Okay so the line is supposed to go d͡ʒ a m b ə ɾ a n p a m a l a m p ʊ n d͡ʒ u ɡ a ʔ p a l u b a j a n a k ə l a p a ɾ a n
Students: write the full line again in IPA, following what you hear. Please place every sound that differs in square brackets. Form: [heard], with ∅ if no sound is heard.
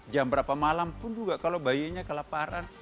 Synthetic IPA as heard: d͡ʒ a m b ə ɾ a [∅] p a m a l a m p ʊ n d͡ʒ u ɡ a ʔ [k] a l [o] b a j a [ɲ] a k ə l a p a ɾ a n